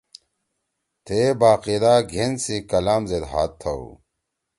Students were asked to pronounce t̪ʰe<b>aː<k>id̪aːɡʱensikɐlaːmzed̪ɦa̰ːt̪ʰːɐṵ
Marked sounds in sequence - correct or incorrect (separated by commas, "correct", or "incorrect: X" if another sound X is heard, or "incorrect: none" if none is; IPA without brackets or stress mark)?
correct, incorrect: q